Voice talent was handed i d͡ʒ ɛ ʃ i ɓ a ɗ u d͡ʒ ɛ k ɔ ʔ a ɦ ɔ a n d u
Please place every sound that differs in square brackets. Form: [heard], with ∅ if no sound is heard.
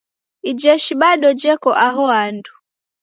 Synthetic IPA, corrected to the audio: i d͡ʒ ɛ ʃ i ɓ a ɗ [ɔ] d͡ʒ ɛ k ɔ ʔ a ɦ ɔ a n d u